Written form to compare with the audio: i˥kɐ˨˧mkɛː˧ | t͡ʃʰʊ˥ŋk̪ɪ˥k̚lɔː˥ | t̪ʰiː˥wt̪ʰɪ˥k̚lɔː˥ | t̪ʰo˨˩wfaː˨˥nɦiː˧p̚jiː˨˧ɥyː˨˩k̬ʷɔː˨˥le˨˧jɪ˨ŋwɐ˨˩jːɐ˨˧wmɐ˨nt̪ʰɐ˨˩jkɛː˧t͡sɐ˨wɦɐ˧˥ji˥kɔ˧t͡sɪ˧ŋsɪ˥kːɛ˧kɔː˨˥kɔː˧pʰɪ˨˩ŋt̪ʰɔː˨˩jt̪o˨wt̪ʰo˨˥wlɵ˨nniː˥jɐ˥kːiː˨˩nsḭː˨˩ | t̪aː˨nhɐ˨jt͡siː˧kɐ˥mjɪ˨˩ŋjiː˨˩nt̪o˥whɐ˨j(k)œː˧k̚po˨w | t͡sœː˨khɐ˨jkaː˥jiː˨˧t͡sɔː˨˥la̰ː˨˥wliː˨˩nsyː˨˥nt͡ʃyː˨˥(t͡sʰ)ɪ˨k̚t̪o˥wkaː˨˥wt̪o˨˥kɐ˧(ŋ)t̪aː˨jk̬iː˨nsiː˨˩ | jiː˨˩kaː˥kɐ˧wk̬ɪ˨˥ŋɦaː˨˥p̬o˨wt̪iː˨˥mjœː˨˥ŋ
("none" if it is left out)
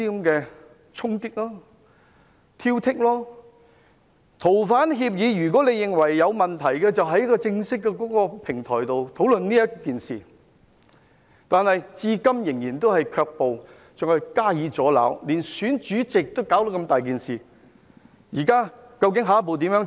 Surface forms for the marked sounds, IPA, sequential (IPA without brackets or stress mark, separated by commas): kʰ, t͡s, m